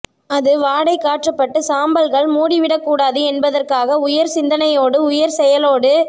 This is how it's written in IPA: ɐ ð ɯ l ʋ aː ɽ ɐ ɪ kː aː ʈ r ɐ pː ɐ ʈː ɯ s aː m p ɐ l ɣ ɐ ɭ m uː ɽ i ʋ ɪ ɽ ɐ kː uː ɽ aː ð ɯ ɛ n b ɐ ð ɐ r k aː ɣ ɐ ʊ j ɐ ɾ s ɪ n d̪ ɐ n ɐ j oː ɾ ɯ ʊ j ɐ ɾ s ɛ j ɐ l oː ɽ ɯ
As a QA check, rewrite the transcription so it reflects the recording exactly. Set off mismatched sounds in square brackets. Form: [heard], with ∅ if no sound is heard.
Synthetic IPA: ɐ ð ɯ [∅] ʋ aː ɽ ɐ ɪ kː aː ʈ r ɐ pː ɐ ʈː ɯ s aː m [b] ɐ l ɣ ɐ ɭ m uː ɽ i ʋ ɪ ɽ ɐ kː uː ɽ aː ð ɯ ɛ n b ɐ ð ɐ r k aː ɣ ɐ ʊ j ɐ ɾ s ɪ n d̪ ɐ n ɐ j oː [ɽ] ɯ ʊ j ɐ ɾ s ɛ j ɐ l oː ɽ ɯ